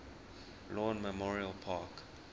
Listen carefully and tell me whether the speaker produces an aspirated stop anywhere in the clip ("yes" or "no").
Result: yes